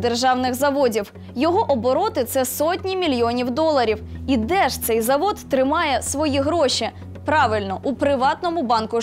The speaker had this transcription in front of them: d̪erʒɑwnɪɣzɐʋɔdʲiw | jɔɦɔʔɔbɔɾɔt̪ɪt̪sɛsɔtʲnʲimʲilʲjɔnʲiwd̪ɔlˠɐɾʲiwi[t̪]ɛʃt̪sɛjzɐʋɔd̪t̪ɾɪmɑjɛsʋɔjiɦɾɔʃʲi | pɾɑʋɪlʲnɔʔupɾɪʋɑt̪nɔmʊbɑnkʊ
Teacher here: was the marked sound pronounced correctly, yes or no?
no